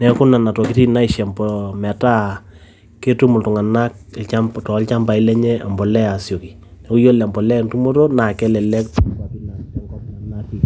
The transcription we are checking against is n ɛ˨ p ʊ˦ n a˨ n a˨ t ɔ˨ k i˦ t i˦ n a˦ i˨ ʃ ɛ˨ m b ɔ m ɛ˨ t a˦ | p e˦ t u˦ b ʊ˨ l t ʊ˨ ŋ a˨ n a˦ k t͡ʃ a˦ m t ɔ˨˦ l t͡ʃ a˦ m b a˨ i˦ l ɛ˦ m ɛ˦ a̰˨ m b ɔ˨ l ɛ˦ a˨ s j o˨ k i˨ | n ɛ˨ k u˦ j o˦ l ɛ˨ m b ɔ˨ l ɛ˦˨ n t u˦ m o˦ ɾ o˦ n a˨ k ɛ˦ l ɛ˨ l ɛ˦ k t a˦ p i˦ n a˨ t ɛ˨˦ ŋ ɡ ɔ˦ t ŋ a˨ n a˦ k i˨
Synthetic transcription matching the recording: n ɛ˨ k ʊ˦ n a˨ n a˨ t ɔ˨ k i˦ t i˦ n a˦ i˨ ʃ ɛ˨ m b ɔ m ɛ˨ t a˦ | k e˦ t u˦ m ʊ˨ l t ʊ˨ ŋ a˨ n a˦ k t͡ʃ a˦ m t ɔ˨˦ l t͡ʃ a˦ m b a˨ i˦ l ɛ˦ ɲ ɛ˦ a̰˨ m b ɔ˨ l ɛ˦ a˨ s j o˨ k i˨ | n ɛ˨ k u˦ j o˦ l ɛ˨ m b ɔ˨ l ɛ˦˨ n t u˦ m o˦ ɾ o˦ n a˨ k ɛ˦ l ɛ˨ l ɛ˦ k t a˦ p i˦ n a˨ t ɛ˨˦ ŋ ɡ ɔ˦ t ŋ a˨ n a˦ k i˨